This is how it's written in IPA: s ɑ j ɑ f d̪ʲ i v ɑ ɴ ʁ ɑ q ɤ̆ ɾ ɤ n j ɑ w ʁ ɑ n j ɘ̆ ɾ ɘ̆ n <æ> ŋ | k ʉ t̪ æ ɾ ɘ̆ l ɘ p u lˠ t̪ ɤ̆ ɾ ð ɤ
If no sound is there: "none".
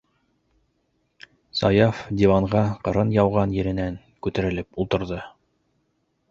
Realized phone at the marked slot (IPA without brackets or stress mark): æ